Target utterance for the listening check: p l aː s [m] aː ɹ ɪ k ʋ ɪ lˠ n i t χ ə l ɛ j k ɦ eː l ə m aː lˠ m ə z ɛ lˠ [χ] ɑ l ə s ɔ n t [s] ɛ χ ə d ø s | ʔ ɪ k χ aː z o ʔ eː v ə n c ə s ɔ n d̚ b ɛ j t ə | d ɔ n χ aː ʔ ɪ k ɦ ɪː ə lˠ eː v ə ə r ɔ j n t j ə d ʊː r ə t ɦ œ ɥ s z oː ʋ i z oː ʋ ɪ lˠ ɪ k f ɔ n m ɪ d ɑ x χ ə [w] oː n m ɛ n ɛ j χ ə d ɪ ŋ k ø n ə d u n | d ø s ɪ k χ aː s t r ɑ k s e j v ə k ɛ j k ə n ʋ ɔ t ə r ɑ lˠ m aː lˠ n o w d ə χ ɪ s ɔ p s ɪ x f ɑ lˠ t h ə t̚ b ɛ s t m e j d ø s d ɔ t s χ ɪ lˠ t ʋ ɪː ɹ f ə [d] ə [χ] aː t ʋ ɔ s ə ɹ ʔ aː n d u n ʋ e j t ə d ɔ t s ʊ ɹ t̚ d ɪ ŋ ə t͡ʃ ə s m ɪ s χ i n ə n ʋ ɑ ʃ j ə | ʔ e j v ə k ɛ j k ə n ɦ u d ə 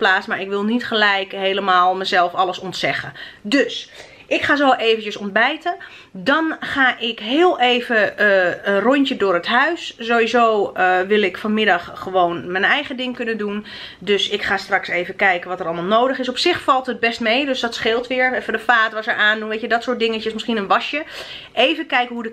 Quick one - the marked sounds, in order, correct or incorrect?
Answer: correct, incorrect: f, correct, incorrect: ʋ, correct, incorrect: f

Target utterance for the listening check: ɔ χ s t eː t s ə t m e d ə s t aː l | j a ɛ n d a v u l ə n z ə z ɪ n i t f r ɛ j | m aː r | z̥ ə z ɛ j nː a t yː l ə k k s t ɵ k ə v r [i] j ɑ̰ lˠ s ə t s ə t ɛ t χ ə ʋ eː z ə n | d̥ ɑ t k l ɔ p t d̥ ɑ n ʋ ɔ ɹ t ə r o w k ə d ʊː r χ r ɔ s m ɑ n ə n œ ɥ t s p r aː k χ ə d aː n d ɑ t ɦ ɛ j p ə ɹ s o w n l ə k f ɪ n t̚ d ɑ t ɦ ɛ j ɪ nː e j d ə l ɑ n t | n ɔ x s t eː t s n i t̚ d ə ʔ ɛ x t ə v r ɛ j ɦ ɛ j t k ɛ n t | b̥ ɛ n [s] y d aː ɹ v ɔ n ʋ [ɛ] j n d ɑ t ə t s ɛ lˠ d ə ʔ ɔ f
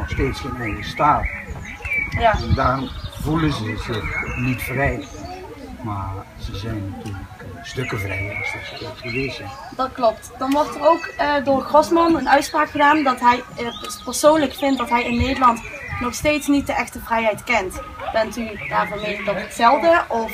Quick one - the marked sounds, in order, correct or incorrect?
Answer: incorrect: ɛ, incorrect: t, incorrect: e

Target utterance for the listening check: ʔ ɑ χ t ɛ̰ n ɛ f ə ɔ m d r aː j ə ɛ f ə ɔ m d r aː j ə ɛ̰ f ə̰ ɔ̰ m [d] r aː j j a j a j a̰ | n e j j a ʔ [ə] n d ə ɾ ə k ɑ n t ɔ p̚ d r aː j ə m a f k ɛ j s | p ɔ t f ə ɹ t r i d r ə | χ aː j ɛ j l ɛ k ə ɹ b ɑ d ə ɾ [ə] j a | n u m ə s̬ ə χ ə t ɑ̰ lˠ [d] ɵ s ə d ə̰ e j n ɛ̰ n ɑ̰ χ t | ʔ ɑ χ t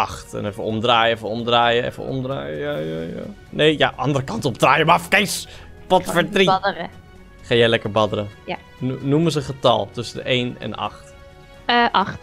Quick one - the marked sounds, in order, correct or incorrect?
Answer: correct, incorrect: ɑ, correct, incorrect: t

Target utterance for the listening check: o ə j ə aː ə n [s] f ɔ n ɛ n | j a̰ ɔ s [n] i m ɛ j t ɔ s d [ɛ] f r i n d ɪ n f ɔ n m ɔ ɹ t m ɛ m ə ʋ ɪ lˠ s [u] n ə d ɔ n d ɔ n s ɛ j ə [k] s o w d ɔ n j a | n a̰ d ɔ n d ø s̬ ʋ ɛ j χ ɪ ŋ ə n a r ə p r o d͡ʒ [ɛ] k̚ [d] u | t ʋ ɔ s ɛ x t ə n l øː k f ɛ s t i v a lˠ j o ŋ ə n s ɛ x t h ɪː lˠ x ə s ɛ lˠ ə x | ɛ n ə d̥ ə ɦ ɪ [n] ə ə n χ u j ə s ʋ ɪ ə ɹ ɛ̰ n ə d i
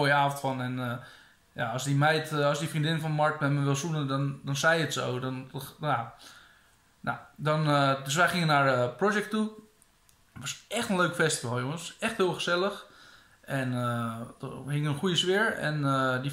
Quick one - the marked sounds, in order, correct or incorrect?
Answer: incorrect: t, incorrect: d, incorrect: i, correct, incorrect: t, correct, incorrect: t, incorrect: ŋ

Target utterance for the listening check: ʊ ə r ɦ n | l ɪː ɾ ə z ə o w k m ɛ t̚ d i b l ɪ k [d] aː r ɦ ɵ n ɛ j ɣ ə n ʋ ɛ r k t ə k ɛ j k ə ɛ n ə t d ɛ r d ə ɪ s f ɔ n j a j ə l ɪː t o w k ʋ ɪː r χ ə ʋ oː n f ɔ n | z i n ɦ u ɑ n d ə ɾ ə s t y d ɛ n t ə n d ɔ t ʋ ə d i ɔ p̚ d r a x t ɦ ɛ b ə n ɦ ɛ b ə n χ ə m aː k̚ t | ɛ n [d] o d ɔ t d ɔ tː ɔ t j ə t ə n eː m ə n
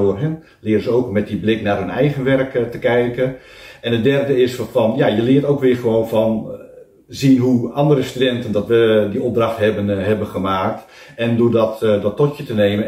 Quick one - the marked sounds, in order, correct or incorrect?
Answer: incorrect: n, correct

